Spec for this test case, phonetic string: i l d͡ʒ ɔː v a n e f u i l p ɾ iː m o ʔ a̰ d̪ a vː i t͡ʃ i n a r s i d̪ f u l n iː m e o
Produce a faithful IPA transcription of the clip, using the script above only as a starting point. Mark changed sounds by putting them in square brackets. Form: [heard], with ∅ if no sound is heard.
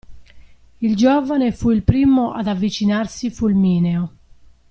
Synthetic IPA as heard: i l d͡ʒ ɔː v a n e f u i l p ɾ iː m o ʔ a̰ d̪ a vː i t͡ʃ i n a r s i [∅] f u l [m] iː [n] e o

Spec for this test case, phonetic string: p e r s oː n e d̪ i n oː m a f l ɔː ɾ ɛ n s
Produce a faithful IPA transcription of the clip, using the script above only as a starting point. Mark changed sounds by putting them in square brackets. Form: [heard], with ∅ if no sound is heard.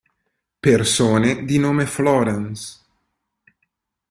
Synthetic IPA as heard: p e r s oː n e d̪ i n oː m [e] f l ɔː ɾ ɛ n s

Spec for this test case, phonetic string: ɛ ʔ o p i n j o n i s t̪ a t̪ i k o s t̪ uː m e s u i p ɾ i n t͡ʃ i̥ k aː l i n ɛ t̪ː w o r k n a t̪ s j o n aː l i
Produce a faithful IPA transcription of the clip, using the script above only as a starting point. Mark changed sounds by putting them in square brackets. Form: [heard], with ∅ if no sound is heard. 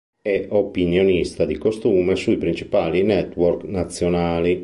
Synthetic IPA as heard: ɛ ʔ o p i n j o n i s t̪ a [d̪] i k o s t̪ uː m e s u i p ɾ i n t͡ʃ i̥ [p] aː l i n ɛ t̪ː w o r k n a t̪ [sː] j o n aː l i

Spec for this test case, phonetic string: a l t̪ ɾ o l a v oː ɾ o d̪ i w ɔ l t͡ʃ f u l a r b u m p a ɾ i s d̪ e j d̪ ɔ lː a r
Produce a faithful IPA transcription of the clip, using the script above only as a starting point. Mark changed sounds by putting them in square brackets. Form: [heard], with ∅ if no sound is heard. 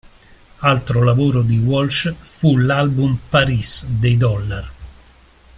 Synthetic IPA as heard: a l t̪ ɾ o l a v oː ɾ o d̪ i w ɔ l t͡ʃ f u l a [l] b u m p a ɾ i s d̪ e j d̪ ɔ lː a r

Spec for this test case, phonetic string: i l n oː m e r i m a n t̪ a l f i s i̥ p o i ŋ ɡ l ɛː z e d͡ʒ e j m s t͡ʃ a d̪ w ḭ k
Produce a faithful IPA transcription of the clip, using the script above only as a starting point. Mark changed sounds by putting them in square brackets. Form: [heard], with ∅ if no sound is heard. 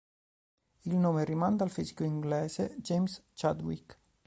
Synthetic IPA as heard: i l n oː m e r i m a n [d̪] a l f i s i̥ [k] o i ŋ ɡ l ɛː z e d͡ʒ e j m s t͡ʃ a d̪ w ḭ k

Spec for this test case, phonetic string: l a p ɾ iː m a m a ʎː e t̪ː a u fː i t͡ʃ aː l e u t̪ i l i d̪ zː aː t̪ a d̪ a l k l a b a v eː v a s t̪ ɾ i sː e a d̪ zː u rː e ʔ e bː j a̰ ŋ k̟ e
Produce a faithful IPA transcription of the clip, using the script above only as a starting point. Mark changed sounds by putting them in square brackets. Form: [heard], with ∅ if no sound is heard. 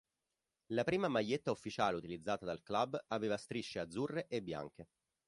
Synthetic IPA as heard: l a p ɾ iː m a m a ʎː e t̪ː a u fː i t͡ʃ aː l e u t̪ i l i d̪ zː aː t̪ a d̪ a l k l a b a v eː v a s t̪ ɾ i [ʃː] e a d̪ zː u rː e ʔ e bː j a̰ ŋ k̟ e

